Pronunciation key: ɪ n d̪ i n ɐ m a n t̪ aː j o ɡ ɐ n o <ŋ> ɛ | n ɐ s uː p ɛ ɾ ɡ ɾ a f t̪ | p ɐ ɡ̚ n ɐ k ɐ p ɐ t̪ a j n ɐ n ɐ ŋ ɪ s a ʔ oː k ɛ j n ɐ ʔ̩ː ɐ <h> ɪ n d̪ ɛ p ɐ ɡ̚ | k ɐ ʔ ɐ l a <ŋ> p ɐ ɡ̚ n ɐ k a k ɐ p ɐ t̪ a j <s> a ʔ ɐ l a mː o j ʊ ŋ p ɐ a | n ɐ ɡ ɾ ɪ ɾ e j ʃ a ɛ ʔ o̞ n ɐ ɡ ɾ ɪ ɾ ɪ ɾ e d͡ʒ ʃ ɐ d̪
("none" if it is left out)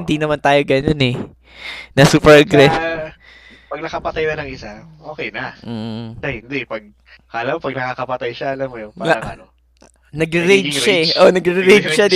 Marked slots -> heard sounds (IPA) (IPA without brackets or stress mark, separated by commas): n, h, m, ʃ